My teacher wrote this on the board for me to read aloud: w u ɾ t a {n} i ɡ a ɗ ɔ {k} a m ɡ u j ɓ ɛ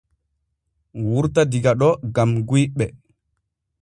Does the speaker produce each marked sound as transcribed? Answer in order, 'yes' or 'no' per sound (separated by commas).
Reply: no, no